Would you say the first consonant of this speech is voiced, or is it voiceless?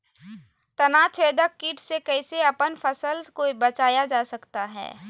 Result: voiceless